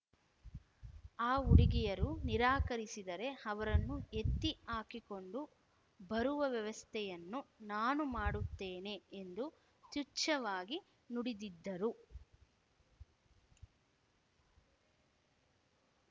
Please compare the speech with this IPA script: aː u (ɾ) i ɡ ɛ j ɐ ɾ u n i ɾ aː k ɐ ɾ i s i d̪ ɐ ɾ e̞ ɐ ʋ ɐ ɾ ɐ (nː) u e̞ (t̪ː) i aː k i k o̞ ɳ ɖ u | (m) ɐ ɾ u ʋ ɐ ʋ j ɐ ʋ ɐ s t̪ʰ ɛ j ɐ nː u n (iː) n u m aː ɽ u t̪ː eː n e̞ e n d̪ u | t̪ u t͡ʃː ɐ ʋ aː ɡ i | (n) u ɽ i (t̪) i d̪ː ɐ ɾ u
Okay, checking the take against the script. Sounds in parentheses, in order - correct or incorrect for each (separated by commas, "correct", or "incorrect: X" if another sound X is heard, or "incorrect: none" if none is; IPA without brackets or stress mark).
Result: incorrect: ɽ, correct, correct, incorrect: b, incorrect: aː, correct, incorrect: d̪